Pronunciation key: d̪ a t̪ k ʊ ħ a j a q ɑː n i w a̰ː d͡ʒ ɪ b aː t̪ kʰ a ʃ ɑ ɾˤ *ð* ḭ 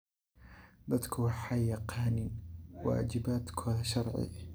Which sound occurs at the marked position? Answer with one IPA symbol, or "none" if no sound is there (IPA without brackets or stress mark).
ʕ